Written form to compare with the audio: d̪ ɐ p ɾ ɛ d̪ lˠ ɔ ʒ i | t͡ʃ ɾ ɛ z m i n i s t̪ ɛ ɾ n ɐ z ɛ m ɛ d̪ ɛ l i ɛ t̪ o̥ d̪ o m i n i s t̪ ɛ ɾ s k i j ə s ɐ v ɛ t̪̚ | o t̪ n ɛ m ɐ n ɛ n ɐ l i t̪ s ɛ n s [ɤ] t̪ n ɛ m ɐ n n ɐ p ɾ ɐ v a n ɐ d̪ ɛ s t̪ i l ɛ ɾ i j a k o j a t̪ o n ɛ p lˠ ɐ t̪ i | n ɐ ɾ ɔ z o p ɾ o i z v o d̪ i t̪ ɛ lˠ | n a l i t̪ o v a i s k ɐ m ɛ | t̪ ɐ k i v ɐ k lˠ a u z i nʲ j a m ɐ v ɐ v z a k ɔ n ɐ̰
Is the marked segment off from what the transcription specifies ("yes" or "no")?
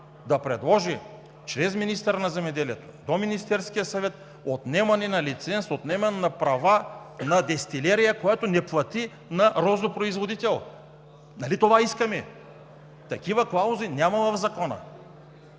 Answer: yes